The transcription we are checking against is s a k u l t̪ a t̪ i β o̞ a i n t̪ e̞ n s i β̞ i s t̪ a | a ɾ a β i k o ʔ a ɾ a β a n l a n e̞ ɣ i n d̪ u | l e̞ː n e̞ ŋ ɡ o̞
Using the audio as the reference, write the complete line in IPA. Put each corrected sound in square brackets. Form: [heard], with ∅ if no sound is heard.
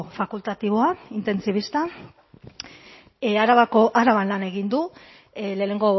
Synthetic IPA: [f] a k u l t̪ a t̪ i β o̞ a i n t̪ e̞ n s i β̞ i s t̪ a | a ɾ a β [a] k o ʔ a ɾ a β a n l a n e̞ ɣ i n d̪ u | l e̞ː n e̞ ŋ ɡ o̞